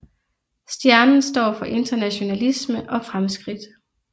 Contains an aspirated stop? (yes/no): no